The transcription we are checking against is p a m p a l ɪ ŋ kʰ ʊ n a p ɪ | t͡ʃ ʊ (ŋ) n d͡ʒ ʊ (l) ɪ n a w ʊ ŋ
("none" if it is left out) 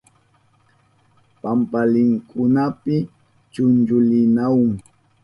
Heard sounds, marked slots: none, l

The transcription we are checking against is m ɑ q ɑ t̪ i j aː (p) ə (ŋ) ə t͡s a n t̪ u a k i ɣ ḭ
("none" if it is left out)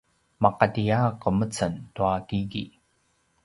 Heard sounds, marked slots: q, m

